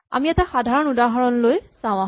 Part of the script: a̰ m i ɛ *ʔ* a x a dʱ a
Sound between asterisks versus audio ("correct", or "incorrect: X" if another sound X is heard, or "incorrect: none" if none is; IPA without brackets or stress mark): incorrect: t